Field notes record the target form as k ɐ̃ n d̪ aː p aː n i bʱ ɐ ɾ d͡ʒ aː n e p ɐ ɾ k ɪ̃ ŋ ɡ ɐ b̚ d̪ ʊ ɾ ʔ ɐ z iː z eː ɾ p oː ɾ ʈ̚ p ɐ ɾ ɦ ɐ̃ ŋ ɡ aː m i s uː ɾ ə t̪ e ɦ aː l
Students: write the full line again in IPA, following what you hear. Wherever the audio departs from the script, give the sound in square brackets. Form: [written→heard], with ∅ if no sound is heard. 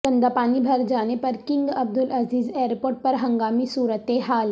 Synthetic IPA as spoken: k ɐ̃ n d̪ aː p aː n i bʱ ɐ ɾ d͡ʒ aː n e p ɐ ɾ k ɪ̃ ŋ ɡ ɐ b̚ d̪ ʊ [ɾ→l] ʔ ɐ z iː z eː ɾ p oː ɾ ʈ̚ p ɐ ɾ ɦ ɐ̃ ŋ ɡ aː m i s uː ɾ ə t̪ e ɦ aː l